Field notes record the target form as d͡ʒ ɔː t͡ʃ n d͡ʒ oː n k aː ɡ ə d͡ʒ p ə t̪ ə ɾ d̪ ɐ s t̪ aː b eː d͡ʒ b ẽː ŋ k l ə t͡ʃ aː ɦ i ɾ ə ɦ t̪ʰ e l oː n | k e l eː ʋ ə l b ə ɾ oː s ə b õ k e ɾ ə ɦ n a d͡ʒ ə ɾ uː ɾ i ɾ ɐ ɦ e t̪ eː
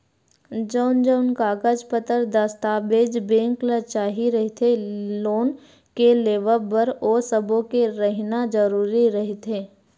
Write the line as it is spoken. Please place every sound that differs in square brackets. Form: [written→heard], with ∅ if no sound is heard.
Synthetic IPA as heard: d͡ʒ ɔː [t͡ʃ→∅] n d͡ʒ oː n k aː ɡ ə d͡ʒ p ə t̪ ə ɾ d̪ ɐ s t̪ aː b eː d͡ʒ b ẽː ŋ k l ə t͡ʃ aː ɦ i ɾ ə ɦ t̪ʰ e l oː n | k e l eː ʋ ə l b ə ɾ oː s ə b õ k e ɾ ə ɦ n a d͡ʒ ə ɾ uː ɾ i ɾ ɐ ɦ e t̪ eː